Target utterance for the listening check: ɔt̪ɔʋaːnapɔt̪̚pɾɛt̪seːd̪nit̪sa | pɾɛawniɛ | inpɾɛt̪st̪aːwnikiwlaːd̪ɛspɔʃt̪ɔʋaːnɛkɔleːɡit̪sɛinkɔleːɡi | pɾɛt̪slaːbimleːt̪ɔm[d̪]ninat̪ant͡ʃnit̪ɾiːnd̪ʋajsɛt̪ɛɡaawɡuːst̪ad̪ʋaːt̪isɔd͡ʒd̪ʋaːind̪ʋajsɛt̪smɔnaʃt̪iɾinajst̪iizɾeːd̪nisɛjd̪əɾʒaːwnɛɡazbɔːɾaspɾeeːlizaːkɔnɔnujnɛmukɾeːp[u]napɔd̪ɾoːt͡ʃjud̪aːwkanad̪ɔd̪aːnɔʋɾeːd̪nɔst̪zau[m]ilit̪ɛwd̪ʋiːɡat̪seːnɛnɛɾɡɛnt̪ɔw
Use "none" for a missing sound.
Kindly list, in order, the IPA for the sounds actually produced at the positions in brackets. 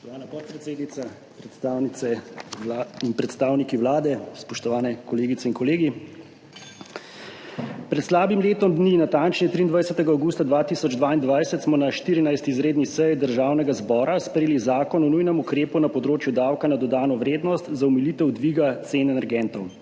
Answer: d̪, u, m

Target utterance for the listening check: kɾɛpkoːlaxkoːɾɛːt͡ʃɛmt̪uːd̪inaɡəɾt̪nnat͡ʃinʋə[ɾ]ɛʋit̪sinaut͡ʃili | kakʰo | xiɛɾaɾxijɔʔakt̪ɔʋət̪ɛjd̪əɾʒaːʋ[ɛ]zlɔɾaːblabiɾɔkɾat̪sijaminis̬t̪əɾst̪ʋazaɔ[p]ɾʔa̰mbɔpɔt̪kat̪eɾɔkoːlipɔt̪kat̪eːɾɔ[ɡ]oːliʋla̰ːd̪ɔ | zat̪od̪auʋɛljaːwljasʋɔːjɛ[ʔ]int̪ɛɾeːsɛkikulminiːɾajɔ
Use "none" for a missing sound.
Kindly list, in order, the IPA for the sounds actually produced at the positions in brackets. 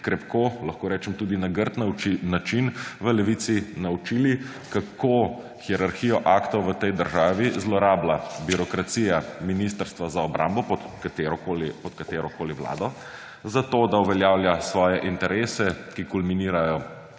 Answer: l, i, b, k, ʔ

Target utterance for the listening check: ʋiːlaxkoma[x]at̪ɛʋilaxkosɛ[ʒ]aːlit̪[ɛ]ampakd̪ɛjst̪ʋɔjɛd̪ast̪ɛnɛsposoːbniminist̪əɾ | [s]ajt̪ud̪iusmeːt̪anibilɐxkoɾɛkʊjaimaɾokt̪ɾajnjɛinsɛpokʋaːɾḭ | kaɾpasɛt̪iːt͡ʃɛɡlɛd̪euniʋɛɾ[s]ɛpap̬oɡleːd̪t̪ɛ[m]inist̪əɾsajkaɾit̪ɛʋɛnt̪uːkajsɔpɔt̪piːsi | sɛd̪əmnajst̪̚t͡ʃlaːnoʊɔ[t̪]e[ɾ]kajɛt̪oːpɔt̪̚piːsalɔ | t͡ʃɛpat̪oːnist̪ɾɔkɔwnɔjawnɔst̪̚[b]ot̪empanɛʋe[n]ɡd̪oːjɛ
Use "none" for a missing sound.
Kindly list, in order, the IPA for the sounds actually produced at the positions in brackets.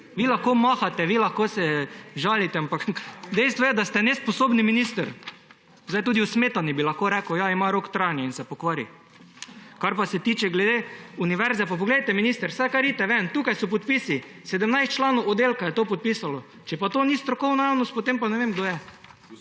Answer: x, ʒ, ɛ, z, z, m, d̪, l, p, m

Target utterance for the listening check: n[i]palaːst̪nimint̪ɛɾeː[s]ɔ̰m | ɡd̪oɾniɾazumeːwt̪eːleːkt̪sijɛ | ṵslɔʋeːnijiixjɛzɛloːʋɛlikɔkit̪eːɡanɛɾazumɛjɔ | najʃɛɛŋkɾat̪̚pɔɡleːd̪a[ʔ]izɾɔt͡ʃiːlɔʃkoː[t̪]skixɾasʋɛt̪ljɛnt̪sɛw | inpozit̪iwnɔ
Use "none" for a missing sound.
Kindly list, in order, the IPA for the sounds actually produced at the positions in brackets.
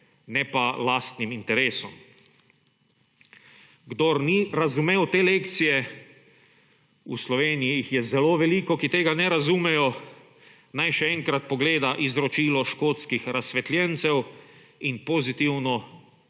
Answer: ɛ, s, ʔ, t̪

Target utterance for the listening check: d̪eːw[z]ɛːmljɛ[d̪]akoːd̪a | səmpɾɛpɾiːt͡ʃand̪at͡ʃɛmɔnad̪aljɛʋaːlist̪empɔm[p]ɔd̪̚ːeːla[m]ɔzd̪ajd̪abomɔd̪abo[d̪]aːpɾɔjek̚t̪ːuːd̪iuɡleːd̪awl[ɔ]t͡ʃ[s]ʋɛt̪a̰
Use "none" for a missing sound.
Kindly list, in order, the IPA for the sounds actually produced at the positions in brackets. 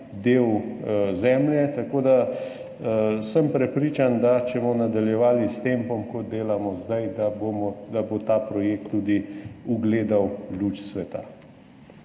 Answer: z, t̪, k, m, t̪, u, s

